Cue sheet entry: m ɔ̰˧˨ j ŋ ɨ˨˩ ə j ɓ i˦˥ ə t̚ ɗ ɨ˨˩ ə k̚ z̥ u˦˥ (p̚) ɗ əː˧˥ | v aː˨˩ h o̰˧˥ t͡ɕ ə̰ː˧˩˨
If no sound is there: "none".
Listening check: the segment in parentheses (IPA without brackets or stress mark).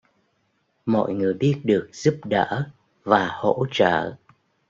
p̚